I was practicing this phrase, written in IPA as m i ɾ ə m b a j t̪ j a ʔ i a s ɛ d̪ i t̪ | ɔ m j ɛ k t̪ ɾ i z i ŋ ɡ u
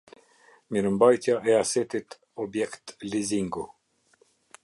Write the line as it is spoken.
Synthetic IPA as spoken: m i ɾ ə m b a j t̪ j a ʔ ɛ a s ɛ t̪ i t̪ | ɔ b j ɛ k t̪ l i z i ŋ ɡ u